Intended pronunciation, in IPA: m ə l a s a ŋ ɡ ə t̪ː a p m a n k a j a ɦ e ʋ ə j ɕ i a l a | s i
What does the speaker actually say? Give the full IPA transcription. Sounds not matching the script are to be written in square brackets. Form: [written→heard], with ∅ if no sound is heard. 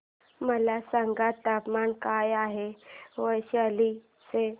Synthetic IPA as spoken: m ə l a s a ŋ ɡ [ə→a] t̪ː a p m a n k a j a ɦ e ʋ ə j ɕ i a l [a→i] | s [i→e]